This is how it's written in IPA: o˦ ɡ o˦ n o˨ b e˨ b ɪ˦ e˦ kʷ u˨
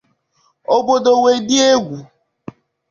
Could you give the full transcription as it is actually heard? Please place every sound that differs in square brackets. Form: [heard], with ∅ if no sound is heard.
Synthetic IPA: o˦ [b] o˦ [d] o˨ [w] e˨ [d] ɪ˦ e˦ [ɡʷ] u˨